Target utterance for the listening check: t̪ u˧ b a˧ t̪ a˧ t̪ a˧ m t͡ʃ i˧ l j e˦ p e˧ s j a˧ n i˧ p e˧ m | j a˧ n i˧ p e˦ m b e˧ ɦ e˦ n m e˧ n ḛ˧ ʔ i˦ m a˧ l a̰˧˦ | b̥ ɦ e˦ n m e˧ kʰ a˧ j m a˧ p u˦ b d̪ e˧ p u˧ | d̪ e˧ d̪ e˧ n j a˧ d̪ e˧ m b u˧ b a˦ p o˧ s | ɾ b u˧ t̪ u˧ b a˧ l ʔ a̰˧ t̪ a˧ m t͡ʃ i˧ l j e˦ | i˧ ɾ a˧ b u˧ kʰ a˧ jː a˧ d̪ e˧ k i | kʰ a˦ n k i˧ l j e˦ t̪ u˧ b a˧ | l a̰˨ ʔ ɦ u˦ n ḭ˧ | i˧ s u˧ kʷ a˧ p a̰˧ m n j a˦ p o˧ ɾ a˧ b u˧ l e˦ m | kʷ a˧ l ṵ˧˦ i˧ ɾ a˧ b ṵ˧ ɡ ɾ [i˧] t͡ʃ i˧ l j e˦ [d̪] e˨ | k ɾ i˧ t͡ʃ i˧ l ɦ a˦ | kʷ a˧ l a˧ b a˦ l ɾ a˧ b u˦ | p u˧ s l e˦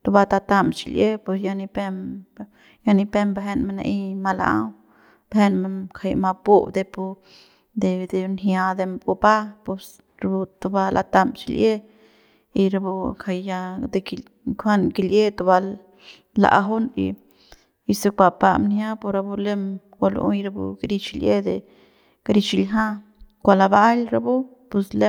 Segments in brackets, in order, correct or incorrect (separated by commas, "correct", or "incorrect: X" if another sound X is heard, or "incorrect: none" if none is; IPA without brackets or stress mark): correct, correct